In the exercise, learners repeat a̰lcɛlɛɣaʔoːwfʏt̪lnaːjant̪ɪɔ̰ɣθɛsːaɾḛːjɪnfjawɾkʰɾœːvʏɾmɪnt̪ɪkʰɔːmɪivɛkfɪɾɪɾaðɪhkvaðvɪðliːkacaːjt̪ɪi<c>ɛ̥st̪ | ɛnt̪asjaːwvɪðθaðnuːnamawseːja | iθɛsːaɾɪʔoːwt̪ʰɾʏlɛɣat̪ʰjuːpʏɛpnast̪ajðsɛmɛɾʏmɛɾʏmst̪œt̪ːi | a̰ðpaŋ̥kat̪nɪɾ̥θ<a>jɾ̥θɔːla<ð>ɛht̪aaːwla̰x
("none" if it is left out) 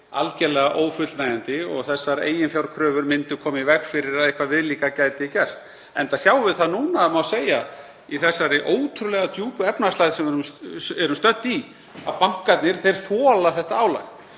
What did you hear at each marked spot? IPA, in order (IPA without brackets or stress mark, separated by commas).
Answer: c, e, θ